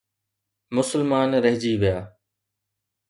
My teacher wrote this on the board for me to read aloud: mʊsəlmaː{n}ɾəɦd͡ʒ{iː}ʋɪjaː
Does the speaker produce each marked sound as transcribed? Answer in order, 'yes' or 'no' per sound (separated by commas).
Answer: yes, yes